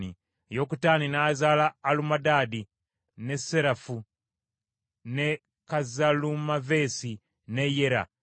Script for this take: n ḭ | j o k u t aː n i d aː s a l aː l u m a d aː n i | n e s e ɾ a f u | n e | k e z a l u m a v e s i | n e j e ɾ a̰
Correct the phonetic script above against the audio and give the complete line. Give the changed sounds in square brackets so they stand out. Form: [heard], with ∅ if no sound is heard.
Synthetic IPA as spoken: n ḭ | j o k u t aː n i [n] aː [z] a l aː l u m a d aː [d] i | n e s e ɾ a f u | n e | k [a] z a l u m a v e s i | n e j e ɾ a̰